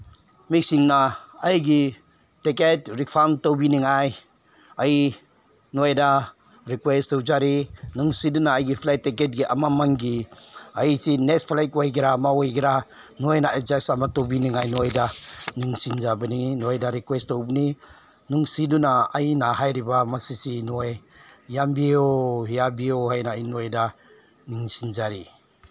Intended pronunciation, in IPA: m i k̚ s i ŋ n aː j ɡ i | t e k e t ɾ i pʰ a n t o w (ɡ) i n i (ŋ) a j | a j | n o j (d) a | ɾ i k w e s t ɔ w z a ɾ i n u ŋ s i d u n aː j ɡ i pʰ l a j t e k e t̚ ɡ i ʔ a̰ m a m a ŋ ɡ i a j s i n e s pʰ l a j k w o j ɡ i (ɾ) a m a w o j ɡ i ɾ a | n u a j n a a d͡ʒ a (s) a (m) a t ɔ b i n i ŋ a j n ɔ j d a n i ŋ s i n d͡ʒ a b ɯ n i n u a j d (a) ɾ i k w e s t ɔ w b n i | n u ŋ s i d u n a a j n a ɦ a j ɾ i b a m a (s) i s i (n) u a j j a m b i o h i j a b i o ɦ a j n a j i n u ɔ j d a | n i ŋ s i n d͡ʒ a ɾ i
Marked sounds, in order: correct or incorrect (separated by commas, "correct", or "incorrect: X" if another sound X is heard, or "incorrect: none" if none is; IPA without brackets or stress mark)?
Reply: incorrect: b, correct, correct, correct, correct, correct, correct, correct, correct